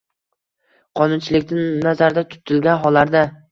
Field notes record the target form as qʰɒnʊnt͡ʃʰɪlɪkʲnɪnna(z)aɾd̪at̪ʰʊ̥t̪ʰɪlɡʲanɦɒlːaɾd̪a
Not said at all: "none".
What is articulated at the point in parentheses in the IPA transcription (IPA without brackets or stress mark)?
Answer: z